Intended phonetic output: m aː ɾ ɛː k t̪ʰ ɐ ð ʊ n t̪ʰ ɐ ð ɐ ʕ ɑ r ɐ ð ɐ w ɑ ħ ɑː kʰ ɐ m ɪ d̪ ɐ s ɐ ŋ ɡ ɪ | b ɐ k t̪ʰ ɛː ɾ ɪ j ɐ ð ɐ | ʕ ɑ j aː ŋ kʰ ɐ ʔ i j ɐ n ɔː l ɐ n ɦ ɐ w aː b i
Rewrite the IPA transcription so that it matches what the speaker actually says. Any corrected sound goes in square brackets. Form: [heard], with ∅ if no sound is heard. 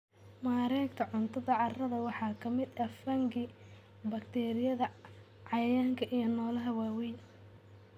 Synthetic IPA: m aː ɾ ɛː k t̪ʰ ɐ [ʕ] ʊ n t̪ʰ ɐ ð ɐ ʕ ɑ r ɐ ð ɐ w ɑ ħ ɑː kʰ ɐ m ɪ d̪ ɐ [f] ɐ ŋ ɡ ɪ | b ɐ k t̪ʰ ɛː ɾ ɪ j ɐ ð ɐ | ʕ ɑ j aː ŋ kʰ ɐ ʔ i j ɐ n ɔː l ɐ [∅] ɦ ɐ w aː [w] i